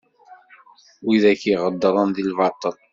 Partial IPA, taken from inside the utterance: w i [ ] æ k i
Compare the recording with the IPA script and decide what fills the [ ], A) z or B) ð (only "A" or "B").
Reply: B